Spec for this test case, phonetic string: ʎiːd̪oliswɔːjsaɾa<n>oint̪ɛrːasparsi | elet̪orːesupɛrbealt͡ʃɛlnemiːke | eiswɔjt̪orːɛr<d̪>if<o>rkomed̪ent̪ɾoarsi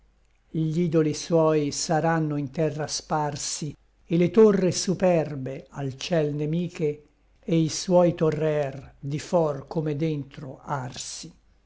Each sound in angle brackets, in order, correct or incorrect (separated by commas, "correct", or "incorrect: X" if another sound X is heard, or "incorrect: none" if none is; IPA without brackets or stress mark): incorrect: nː, correct, incorrect: ɔ